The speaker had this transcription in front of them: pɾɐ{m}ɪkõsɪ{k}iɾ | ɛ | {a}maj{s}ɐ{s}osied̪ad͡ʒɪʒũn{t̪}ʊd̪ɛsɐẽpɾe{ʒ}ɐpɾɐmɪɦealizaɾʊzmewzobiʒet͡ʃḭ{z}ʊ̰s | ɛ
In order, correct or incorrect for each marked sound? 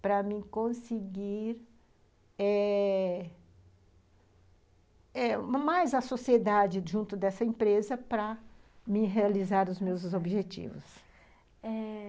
correct, incorrect: ɡ, incorrect: ɛ, incorrect: z, correct, correct, incorrect: z, incorrect: v

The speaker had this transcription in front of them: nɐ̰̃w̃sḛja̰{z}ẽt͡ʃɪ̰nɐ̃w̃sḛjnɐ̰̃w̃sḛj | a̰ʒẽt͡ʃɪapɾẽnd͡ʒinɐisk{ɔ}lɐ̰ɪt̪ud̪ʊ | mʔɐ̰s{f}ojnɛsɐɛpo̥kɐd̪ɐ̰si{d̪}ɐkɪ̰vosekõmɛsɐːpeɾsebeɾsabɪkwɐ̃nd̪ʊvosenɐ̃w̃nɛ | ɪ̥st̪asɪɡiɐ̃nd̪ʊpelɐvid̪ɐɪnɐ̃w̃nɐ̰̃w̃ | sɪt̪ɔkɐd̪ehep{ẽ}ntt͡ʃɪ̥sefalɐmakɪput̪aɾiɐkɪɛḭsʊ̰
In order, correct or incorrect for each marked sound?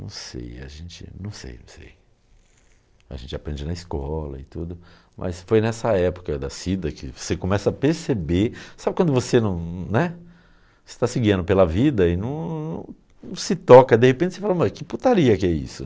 incorrect: ʒ, correct, correct, correct, correct

